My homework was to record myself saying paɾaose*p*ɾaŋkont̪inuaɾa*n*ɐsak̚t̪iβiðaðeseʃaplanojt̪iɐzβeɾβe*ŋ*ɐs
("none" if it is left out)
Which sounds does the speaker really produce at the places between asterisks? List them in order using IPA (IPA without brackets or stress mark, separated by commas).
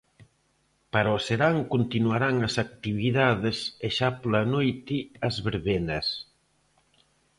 none, ŋ, n